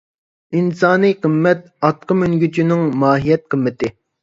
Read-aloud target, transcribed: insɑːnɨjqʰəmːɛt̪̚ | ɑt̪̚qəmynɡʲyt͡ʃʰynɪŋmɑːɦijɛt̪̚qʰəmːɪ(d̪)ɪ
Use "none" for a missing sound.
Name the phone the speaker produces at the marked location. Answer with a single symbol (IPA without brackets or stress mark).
t̪